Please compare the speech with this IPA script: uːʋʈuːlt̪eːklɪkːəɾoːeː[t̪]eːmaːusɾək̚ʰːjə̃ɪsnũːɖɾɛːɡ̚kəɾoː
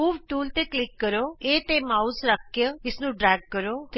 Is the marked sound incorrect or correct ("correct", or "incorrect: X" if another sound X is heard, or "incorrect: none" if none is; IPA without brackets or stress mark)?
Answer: correct